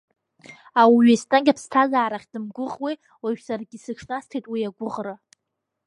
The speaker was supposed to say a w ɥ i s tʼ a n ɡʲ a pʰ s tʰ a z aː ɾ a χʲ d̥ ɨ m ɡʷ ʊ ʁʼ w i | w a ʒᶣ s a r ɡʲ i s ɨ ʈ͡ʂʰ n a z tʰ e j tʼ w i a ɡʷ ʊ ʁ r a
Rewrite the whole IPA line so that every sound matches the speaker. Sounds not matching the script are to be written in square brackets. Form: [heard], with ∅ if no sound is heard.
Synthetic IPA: a w ɥ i s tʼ a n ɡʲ a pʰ s tʰ a z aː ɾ a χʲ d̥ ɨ m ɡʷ ʊ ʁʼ w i | w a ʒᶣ s a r ɡʲ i s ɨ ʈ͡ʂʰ n a [s] tʰ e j tʼ w i a ɡʷ ʊ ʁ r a